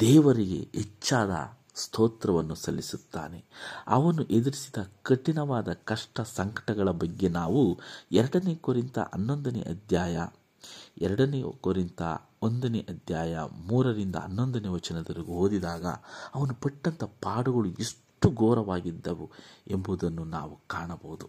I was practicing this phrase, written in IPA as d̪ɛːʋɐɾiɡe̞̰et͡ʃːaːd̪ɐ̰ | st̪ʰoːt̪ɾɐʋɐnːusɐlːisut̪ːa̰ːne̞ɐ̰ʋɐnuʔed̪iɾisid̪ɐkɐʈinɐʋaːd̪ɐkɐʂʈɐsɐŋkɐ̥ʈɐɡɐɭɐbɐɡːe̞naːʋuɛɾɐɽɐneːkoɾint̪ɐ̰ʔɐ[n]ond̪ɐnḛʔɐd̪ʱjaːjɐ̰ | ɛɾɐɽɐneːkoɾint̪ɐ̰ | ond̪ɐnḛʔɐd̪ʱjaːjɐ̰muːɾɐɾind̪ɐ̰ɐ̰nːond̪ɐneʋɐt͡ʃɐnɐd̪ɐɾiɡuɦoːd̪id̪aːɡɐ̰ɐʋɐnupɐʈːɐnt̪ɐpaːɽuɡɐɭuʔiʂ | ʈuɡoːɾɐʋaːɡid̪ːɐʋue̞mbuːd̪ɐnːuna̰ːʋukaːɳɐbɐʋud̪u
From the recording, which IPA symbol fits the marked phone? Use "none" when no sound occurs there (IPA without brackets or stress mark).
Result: nː